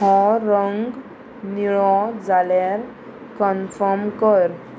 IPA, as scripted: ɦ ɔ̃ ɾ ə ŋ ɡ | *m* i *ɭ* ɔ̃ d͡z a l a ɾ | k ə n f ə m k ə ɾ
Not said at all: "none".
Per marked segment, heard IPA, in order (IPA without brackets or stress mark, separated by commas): n, ɭ